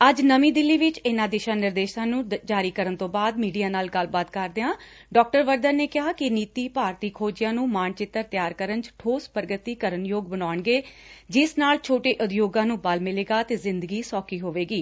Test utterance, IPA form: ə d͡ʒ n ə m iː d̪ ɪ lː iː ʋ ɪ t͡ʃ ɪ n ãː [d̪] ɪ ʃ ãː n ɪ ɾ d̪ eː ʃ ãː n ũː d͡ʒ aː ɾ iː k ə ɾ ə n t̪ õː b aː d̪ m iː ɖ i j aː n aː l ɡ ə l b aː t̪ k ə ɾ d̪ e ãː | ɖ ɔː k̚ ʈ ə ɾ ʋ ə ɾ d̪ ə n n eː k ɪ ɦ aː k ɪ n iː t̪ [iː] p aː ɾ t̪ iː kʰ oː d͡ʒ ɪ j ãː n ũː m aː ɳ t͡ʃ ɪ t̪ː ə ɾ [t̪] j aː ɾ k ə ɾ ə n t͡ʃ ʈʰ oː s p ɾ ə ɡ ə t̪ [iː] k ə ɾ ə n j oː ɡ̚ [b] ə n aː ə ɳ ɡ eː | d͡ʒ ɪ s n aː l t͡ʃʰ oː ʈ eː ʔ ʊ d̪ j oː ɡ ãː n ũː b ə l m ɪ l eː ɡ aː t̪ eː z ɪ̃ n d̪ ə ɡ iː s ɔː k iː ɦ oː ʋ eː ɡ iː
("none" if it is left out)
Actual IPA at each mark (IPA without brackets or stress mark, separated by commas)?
d̪, iː, t̪, iː, b